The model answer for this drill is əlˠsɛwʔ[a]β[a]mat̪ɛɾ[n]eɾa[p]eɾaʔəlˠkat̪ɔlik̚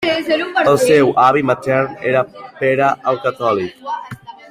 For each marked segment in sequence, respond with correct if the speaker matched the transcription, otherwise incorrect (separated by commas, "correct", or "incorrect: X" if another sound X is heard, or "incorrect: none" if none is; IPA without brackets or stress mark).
correct, incorrect: i, correct, correct